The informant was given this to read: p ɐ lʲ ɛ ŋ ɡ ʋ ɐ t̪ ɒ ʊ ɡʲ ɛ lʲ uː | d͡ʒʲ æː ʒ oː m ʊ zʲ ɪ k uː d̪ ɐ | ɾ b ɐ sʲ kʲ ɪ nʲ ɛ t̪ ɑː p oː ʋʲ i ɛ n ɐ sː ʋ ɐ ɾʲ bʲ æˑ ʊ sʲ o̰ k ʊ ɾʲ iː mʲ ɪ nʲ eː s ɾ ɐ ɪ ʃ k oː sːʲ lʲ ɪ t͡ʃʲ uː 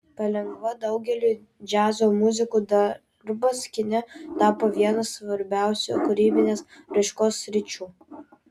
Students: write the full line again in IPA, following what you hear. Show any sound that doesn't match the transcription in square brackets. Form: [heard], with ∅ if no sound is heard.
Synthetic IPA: p ɐ lʲ ɛ ŋ ɡ ʋ ɐ [d̪] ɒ ʊ ɡʲ ɛ lʲ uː | d͡ʒʲ æː [z] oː m ʊ zʲ ɪ k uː d̪ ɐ | ɾ b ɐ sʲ kʲ ɪ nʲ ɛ t̪ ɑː p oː ʋʲ i ɛ n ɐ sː ʋ ɐ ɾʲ bʲ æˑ ʊ sʲ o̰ k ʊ ɾʲ iː [bʲ] ɪ nʲ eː s ɾ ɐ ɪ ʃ k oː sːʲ [ɾʲ] ɪ t͡ʃʲ uː